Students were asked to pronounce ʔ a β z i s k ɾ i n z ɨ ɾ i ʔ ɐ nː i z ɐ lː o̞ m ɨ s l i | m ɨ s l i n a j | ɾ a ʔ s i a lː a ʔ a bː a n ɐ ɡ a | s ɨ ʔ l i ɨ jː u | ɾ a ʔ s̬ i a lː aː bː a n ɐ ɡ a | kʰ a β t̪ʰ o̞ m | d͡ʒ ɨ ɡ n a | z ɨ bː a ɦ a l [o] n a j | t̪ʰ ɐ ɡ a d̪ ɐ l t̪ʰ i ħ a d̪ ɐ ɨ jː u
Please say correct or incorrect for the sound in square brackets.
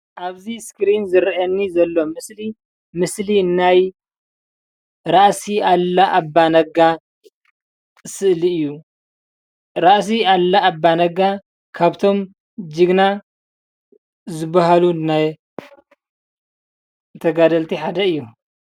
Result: incorrect